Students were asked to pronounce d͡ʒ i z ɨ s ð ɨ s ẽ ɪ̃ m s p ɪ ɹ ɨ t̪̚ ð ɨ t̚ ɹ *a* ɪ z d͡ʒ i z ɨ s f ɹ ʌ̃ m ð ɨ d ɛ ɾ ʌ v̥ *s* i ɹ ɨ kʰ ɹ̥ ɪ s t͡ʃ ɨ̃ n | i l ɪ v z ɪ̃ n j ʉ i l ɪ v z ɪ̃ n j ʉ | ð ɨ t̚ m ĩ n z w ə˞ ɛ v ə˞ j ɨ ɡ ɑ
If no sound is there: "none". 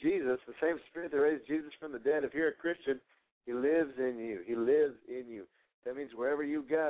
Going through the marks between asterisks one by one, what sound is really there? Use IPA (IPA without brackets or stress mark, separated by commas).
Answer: e, h